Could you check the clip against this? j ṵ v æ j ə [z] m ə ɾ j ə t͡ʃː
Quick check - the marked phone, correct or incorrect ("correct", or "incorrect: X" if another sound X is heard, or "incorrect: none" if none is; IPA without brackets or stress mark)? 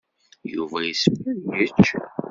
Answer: incorrect: s